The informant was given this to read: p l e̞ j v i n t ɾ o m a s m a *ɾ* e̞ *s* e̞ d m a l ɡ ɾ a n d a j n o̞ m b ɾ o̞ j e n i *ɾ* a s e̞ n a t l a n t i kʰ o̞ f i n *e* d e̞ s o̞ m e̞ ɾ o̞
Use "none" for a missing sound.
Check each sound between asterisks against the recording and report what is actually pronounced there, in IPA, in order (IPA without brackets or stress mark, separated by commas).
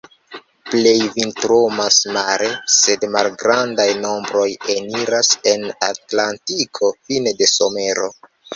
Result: ɾ, s, ɾ, e